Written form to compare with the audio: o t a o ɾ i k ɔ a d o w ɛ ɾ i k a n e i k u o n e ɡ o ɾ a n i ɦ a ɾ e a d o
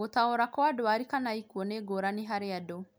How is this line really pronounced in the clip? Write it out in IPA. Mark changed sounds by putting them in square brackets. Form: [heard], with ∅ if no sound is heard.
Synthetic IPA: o t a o ɾ [a] k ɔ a d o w [a] ɾ i k a n [a] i k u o n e ɡ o ɾ a n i ɦ a ɾ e a d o

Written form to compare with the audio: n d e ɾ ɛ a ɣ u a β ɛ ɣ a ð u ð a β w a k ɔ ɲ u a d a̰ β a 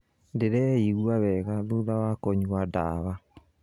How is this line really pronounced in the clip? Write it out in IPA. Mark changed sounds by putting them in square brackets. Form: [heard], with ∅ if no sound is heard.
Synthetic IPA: n d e ɾ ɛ [i] ɣ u a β ɛ ɣ a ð u ð a [∅] w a k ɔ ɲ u a d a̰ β a

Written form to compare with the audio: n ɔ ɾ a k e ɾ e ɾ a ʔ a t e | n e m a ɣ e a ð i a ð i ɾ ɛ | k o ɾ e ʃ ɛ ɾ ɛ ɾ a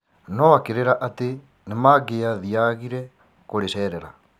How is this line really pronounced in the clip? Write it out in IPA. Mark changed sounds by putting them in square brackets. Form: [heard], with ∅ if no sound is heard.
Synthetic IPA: n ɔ [∅] a k e ɾ e ɾ a ʔ a t e | n e m a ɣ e a ð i a [ɣ] i ɾ ɛ | k o ɾ e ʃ ɛ ɾ ɛ ɾ a

